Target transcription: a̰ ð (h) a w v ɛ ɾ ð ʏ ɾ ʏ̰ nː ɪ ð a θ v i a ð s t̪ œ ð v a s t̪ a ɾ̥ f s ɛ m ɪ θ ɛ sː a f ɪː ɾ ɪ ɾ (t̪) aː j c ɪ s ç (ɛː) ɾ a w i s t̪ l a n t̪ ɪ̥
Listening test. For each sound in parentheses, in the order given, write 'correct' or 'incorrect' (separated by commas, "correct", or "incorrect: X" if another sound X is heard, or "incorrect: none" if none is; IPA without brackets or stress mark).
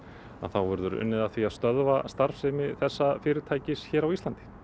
incorrect: θ, incorrect: t̪ʰ, correct